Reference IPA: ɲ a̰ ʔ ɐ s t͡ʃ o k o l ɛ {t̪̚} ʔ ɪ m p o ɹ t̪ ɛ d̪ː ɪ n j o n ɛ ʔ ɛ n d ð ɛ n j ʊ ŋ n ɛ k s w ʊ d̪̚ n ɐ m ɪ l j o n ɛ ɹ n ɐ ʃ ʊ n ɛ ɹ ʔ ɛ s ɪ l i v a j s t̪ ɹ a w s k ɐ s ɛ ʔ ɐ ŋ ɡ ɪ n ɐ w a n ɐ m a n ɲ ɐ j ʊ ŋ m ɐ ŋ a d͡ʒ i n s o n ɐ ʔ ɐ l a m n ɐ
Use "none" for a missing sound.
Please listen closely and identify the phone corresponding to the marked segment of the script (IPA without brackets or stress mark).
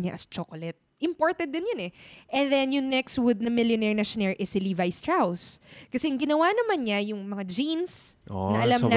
t̪̚